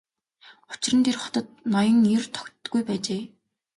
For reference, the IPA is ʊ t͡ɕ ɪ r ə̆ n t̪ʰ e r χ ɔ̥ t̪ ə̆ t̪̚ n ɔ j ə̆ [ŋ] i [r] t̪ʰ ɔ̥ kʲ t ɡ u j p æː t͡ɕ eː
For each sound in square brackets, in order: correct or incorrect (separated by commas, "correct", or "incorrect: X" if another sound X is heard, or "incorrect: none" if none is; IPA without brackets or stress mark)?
correct, correct